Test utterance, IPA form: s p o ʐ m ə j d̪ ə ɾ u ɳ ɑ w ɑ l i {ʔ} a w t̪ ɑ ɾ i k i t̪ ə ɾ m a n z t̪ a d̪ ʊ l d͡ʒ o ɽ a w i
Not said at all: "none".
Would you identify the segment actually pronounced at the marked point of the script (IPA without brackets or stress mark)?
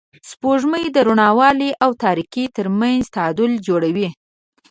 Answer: ʔ